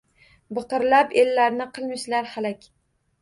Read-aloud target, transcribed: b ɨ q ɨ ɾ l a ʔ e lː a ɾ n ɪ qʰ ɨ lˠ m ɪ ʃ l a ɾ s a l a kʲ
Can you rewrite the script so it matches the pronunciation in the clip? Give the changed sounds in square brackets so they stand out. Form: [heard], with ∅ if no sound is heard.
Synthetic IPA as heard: b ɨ q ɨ ɾ l a [p] e lː a ɾ n ɪ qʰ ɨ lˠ m ɪ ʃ l a ɾ [h] a l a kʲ

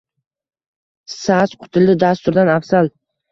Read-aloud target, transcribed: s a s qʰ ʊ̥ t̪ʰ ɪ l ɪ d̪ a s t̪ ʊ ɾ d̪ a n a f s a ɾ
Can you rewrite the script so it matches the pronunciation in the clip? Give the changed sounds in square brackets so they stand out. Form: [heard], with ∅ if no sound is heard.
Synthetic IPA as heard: s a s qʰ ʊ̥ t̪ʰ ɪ l ɪ d̪ a s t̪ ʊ ɾ d̪ a n a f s a [l]

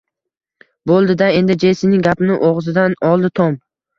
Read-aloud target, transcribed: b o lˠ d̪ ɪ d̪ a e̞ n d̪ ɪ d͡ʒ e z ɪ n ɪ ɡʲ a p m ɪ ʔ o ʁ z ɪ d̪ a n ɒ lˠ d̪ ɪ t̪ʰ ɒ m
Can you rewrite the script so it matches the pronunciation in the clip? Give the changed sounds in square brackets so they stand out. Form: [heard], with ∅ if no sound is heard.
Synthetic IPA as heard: b o lˠ d̪ ɪ d̪ a e̞ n d̪ ɪ d͡ʒ e [s] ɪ n ɪ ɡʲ a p [n] ɪ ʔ o ʁ z ɪ d̪ a n ɒ lˠ d̪ ɪ t̪ʰ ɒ m

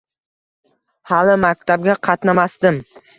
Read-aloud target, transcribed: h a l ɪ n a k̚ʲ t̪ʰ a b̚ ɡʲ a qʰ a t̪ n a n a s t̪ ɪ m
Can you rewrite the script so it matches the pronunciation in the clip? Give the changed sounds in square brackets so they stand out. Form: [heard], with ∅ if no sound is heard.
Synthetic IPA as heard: h a l ɪ [m] a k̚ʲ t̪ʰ a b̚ ɡʲ a qʰ [ɑ] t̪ n a [m] a s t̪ ɪ m

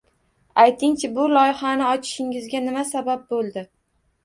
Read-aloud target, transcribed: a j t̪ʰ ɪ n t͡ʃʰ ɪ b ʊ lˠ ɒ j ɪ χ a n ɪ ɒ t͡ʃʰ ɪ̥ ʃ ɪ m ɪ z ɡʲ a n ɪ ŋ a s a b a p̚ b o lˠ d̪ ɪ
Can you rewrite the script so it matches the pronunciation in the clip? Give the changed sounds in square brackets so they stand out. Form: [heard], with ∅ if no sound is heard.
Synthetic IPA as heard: a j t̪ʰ ɪ [ŋ] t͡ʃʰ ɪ b ʊ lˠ ɒ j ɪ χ a n ɪ ɒ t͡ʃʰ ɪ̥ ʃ ɪ [ŋ] ɪ z ɡʲ a n ɪ [m] a s a b a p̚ b o lˠ d̪ ɪ

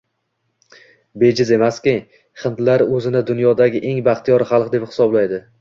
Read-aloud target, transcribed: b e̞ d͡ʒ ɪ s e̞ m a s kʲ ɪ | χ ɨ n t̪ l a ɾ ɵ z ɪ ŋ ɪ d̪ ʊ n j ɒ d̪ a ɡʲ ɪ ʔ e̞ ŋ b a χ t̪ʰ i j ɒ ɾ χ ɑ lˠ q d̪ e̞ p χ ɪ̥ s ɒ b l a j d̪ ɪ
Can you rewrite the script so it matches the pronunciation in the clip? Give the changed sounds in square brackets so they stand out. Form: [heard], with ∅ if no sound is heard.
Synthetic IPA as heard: b e̞ d͡ʒ ɪ [z] e̞ m a s kʲ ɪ | χ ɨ n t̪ l a ɾ ɵ z ɪ [n] ɪ d̪ ʊ n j ɒ d̪ a ɡʲ ɪ ʔ e̞ ŋ b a χ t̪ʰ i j ɒ ɾ χ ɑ lˠ q d̪ e̞ p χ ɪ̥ s ɒ b l a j d̪ ɪ

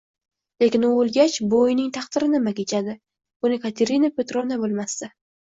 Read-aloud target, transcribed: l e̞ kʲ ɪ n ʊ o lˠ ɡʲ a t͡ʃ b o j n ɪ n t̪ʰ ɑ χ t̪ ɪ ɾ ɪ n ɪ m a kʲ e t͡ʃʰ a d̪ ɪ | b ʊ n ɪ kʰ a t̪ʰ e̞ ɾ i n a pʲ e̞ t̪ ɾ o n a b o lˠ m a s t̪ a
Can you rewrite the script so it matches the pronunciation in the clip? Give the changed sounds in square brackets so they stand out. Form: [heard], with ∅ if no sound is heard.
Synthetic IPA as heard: l e̞ kʲ ɪ n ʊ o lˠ ɡʲ a t͡ʃ b o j n ɪ [ŋ] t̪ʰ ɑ χ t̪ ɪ ɾ ɪ n ɪ m a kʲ e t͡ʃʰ a d̪ ɪ | b ʊ n ɪ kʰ a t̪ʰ e̞ ɾ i n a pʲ e̞ t̪ ɾ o n a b o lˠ m a s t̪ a

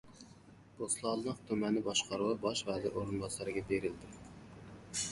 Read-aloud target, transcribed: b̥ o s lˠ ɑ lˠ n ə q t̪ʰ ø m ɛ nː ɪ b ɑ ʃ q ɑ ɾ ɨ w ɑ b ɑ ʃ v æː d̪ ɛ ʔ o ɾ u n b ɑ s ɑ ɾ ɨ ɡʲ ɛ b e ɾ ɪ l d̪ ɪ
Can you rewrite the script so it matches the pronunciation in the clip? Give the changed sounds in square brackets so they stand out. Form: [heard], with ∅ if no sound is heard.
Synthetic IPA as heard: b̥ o s lˠ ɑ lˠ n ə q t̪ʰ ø m ɛ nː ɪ b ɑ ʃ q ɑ ɾ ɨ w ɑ b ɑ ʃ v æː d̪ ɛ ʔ o ɾ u n b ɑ s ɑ ɾ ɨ ɡʲ ɛ b e ɾ ɪ l d̪ ɪ

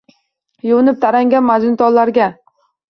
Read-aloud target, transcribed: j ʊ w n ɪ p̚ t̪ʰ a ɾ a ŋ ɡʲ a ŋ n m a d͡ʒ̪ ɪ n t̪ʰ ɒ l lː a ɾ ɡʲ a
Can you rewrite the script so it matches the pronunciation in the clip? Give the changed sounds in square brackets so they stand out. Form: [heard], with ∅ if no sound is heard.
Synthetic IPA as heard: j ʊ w n ɪ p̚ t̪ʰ a ɾ a ŋ ɡʲ a [∅] n m a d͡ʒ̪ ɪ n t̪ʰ ɒ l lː a ɾ ɡʲ a

